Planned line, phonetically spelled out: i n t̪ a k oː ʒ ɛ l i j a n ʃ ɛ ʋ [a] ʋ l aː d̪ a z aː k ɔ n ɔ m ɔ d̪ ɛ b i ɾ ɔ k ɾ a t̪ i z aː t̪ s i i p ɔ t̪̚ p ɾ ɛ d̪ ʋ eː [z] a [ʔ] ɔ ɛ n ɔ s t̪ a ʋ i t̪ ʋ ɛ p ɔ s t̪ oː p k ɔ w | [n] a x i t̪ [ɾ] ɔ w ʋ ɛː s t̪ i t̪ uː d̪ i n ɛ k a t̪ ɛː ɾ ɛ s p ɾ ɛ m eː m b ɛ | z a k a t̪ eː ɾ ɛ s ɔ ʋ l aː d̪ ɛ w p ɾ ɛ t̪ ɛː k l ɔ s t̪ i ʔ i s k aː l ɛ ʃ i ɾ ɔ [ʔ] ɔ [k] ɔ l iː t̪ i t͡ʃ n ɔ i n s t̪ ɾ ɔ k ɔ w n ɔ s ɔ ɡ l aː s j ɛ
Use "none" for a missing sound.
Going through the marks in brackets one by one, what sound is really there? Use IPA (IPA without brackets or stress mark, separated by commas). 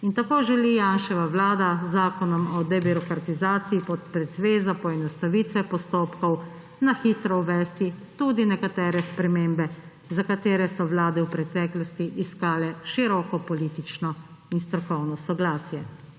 a, z, p, n, ɾ, k, p